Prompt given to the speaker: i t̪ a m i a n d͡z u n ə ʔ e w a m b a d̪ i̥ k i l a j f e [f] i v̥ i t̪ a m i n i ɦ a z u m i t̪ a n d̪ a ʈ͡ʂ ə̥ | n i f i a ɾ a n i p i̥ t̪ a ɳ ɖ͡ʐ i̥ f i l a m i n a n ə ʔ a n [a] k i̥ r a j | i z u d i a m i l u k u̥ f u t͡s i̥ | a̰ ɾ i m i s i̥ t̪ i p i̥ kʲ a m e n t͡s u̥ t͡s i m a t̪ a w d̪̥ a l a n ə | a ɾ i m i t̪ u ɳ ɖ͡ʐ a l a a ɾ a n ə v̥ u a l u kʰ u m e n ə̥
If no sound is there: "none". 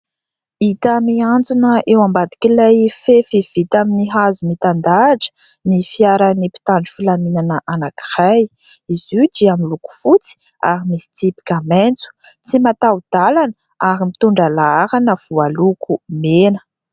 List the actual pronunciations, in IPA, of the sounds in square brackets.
f, a

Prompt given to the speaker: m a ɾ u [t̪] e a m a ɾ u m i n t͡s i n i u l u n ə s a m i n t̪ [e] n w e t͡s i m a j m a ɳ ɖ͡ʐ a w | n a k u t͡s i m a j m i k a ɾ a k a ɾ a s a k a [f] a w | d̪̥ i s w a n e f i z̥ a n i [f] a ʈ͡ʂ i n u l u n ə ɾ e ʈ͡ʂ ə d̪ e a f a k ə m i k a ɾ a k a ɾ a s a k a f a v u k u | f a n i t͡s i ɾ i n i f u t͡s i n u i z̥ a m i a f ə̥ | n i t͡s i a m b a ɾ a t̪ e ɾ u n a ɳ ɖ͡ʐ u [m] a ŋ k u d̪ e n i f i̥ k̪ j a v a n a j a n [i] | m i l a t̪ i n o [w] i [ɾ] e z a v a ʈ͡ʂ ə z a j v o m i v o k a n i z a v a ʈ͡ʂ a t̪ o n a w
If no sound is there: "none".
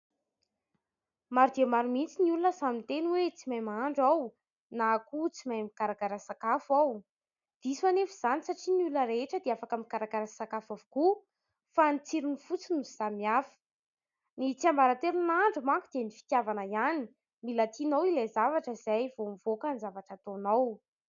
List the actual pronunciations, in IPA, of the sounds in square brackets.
d̪, e, f, s, m, i, w, l

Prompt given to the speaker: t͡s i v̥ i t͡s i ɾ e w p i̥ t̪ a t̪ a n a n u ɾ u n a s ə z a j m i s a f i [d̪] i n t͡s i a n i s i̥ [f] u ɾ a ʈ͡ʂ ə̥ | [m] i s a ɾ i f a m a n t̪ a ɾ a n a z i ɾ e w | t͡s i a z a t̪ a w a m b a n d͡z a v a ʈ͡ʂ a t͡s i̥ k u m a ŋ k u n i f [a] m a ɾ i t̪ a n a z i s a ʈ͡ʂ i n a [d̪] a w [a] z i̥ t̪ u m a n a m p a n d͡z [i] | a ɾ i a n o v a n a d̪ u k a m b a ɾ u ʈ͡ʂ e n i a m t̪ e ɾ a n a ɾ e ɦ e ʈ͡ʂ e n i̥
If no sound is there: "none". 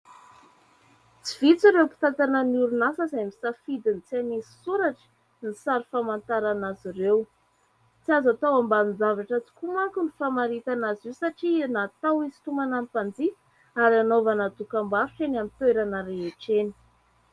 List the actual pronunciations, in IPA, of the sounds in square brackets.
d̪, s, n, a, t̪, i, i

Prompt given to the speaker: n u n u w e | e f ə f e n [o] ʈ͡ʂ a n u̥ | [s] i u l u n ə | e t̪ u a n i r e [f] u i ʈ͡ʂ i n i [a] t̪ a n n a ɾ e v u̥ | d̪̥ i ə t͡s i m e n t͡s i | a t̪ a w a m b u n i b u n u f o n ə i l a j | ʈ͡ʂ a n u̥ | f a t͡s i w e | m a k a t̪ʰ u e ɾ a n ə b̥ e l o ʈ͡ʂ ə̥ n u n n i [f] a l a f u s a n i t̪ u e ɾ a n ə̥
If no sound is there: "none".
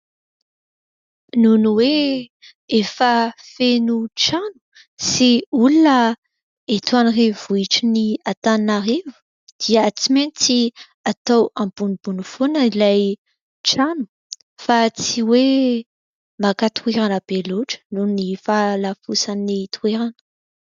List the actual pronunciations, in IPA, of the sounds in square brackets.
u, s, v, a, f

